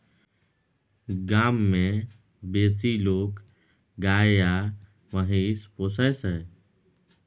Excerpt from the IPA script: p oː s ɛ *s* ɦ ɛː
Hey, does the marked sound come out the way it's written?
yes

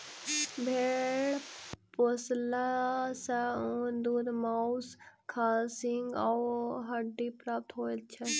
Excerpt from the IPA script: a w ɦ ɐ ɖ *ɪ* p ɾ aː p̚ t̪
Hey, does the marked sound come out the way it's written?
no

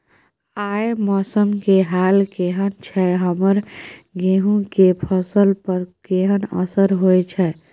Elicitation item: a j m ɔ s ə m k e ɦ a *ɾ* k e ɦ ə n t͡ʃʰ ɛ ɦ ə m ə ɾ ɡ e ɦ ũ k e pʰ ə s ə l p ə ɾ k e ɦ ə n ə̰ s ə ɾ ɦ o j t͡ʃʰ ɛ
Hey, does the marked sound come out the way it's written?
no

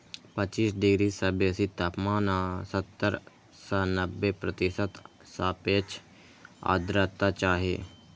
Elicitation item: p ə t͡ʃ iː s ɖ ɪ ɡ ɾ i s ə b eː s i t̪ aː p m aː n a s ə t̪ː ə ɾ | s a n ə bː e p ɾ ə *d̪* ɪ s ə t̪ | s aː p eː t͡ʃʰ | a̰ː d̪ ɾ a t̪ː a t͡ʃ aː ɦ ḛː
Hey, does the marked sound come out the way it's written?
no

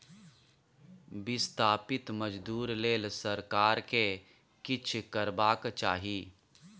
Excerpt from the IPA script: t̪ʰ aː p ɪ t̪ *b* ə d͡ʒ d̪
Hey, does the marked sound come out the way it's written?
no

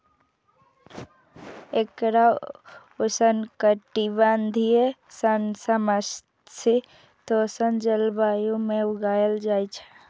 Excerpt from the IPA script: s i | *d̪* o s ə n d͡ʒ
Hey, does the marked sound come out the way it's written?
no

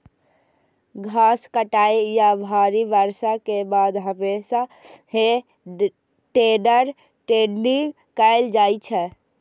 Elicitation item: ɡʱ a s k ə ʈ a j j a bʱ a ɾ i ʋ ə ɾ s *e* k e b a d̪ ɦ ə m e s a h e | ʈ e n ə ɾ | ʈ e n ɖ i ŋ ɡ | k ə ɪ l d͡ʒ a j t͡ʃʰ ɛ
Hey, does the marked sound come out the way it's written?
no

